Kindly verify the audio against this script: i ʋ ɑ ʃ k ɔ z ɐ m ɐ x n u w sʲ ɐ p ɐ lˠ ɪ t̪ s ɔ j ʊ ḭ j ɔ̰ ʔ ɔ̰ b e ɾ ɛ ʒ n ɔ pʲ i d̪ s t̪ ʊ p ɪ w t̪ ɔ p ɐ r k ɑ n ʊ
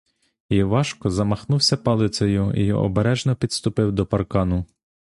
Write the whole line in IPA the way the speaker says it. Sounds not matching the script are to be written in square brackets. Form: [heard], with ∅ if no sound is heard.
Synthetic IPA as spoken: i ʋ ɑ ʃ k ɔ z ɐ m ɐ x n u w sʲ ɐ p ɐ lˠ ɪ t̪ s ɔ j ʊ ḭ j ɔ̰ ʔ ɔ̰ b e ɾ ɛ ʒ n ɔ pʲ i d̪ s t̪ ʊ p ɪ w [d̪] ɔ p ɐ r k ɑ n ʊ